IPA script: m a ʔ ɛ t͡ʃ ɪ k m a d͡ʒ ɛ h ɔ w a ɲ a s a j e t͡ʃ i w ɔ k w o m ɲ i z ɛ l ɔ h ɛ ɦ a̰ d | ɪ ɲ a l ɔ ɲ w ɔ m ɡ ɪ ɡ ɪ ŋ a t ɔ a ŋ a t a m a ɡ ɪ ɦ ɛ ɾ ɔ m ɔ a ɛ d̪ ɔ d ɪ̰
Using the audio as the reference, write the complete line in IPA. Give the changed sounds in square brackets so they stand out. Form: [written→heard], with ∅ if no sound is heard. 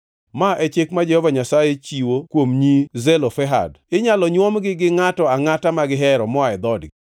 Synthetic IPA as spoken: m a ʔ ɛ t͡ʃ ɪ k m a d͡ʒ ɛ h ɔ [w→v] a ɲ a s a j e t͡ʃ i w [ɔ→o] k w o m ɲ i z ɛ l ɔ [h→f] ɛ ɦ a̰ d | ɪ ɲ a l ɔ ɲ w ɔ m ɡ ɪ ɡ ɪ ŋ a t ɔ a ŋ a t a m a ɡ ɪ ɦ ɛ ɾ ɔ m ɔ a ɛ d̪ ɔ d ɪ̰